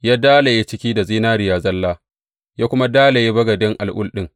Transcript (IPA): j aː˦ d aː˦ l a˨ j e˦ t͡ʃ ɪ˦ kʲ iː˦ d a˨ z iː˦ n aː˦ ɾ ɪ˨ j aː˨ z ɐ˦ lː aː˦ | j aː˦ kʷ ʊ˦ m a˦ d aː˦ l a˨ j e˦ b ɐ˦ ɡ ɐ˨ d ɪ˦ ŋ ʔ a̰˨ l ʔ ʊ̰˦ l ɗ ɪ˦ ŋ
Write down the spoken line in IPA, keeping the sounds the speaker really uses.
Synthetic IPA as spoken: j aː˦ d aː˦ l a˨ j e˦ t͡ʃ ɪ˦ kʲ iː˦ d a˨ z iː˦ n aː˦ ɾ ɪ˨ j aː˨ z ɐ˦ lː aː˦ | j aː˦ kʷ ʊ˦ m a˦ d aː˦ l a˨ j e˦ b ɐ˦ ɡ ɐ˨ d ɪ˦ ŋ ʔ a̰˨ l ʔ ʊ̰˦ l ɗ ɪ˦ ŋ